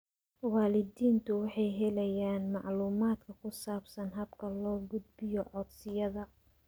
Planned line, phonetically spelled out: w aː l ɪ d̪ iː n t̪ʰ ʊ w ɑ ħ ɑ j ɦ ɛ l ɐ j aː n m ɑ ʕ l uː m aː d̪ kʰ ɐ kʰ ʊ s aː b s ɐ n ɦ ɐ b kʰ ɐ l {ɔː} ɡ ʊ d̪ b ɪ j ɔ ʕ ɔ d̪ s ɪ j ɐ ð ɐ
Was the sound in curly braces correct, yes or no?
yes